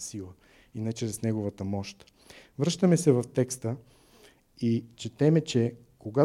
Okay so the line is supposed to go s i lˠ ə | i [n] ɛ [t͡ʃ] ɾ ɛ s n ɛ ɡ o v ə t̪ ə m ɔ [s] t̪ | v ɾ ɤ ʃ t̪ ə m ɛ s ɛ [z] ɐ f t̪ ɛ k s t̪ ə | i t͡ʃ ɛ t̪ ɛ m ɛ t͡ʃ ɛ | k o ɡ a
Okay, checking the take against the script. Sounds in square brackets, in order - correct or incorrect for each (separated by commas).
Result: correct, correct, incorrect, incorrect